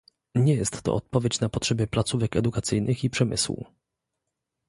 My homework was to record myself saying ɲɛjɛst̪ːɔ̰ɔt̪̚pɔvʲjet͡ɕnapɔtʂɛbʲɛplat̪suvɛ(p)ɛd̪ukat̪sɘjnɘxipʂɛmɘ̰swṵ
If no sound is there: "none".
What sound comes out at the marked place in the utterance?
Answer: k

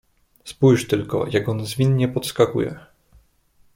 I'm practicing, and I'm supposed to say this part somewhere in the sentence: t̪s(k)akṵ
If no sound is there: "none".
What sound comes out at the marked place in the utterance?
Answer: k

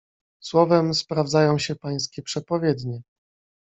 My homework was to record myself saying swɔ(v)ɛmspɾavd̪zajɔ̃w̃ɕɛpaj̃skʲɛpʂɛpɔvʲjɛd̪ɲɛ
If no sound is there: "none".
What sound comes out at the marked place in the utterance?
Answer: v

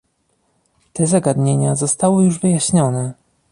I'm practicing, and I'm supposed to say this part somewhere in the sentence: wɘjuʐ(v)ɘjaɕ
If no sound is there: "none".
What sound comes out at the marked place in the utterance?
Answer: v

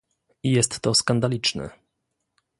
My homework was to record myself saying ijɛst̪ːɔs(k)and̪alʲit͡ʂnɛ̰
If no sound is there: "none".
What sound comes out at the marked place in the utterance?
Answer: k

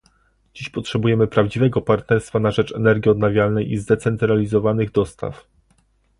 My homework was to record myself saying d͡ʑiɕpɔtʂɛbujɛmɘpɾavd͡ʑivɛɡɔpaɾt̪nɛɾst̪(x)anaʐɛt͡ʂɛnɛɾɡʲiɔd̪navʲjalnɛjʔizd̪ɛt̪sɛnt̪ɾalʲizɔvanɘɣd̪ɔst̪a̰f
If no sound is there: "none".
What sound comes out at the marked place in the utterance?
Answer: f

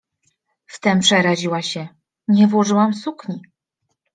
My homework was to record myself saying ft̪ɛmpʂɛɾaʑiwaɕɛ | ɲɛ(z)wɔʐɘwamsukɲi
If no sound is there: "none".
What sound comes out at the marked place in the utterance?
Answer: v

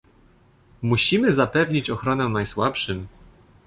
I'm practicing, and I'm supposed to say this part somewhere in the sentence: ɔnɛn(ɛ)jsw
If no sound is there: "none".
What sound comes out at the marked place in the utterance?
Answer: a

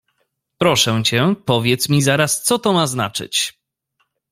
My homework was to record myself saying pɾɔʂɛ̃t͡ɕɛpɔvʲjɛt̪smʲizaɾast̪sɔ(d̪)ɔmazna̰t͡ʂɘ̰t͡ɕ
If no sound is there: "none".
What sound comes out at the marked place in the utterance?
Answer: t̪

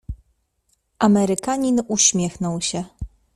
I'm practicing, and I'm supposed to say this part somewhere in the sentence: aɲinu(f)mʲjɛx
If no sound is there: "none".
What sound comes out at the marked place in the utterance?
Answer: ɕ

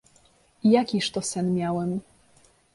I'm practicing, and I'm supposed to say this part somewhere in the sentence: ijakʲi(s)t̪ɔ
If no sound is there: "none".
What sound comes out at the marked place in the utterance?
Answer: ʂ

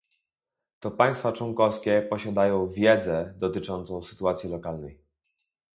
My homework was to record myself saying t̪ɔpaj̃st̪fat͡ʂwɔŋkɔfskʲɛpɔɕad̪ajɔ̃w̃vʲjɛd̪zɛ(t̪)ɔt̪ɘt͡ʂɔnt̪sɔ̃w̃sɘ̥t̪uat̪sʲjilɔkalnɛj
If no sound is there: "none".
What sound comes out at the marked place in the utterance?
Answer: d̪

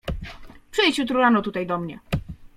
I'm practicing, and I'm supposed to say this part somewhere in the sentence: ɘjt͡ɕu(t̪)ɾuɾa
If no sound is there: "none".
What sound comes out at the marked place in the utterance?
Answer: t̪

